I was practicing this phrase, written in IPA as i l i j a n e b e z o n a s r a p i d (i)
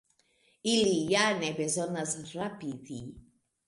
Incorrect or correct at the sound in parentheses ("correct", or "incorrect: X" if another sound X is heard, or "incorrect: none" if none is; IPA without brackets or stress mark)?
correct